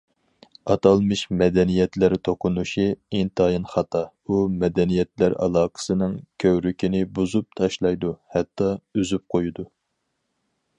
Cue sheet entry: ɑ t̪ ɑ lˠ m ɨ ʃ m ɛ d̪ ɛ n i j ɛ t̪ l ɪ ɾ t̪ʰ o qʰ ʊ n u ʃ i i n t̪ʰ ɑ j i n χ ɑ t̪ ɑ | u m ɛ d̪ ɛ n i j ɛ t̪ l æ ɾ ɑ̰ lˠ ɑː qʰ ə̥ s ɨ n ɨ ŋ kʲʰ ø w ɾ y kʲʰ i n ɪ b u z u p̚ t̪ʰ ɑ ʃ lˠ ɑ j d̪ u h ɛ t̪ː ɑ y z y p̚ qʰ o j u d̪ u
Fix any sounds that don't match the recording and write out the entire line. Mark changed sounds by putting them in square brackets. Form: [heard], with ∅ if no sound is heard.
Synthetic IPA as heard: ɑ t̪ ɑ lˠ m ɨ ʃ m ɛ d̪ ɛ n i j ɛ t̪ l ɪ ɾ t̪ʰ o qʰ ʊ n u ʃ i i n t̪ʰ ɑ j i n χ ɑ t̪ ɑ | u m ɛ d̪ ɛ n i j ɛ t̪ l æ ɾ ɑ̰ lˠ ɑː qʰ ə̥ s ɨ n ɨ ŋ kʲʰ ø w ɾ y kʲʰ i n ɪ b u z u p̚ t̪ʰ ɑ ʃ lˠ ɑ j d̪ u h ɛ t̪ː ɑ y z y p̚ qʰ o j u d̪ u